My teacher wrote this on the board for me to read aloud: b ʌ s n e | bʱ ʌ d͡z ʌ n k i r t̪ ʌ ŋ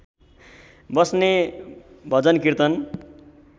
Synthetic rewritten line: b ʌ s n e | bʱ ʌ d͡z ʌ n k i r t̪ ʌ n